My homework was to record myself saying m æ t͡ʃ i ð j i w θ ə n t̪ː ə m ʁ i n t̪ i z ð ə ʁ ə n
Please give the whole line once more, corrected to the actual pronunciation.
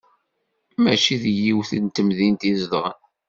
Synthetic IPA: m æ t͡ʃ i ð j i w θ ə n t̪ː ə m ð i n t̪ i z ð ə ʁ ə n